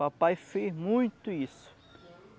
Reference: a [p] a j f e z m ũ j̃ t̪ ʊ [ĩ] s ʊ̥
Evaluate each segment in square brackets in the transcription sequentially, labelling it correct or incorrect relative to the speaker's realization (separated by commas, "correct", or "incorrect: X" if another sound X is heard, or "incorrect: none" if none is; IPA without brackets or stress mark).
correct, incorrect: i